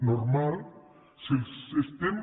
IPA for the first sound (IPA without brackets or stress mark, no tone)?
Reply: n